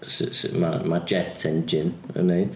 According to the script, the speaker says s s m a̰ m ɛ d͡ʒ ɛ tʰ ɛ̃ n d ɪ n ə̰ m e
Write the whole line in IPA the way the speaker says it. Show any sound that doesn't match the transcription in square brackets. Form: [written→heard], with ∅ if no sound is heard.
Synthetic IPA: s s m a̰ m [ɛ→a] d͡ʒ ɛ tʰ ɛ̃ n [d→d͡ʒ] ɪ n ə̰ [m→n] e